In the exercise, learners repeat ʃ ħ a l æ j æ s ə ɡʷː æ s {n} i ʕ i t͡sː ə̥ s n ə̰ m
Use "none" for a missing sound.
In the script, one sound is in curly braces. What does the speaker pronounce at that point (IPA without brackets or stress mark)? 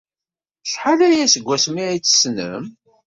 m